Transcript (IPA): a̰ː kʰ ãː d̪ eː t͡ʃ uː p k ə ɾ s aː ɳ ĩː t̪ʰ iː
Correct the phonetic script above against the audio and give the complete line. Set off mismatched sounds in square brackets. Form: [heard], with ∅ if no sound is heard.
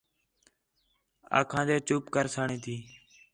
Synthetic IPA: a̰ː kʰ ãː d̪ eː t͡ʃ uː p k ə ɾ s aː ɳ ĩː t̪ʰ iː